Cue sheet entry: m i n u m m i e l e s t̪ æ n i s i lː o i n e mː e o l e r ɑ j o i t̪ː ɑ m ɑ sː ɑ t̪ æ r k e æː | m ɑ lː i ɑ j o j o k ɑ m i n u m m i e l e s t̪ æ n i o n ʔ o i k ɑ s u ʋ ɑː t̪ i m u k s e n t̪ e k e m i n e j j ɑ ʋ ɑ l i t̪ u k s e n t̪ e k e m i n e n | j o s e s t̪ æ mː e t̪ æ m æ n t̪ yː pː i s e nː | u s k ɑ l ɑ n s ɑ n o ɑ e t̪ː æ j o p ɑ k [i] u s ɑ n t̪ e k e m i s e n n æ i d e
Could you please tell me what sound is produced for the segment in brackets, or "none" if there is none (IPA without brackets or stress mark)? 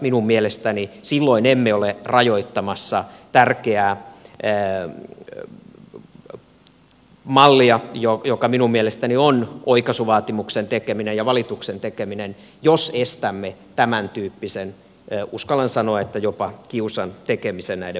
i